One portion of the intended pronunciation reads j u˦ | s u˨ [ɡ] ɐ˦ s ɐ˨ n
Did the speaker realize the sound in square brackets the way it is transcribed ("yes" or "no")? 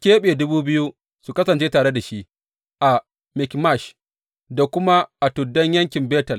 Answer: no